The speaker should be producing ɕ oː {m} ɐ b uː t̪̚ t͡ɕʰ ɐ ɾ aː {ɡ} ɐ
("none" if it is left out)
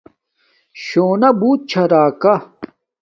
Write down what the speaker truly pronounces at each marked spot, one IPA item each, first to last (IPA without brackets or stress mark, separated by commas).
n, k